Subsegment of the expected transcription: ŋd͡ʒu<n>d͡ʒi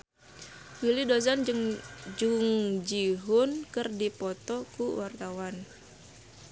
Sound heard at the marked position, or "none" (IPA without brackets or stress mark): ŋ